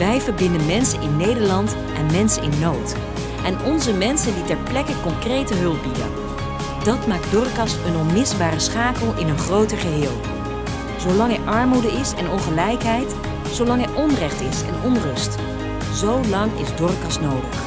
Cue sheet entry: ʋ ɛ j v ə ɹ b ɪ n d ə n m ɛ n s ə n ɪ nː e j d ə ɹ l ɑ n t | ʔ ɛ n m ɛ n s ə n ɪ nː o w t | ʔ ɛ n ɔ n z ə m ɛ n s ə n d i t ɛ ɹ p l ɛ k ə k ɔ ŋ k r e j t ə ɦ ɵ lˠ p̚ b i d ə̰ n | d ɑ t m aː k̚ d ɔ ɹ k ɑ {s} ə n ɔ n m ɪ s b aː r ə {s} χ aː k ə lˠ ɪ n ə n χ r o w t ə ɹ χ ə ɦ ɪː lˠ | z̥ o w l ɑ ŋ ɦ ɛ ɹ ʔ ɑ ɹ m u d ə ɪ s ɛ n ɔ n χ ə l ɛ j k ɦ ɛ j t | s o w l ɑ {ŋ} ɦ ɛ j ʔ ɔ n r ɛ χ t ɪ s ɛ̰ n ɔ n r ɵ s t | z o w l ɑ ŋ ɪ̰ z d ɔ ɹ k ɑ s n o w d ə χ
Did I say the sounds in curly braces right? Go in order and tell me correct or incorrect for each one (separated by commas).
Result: correct, correct, correct